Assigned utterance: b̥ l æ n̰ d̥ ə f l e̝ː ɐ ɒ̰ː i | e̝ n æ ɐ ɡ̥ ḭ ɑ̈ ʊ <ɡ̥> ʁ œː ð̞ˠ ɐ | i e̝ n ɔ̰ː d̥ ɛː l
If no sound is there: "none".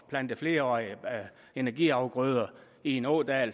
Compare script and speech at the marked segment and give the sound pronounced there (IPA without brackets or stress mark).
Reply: ɡ̥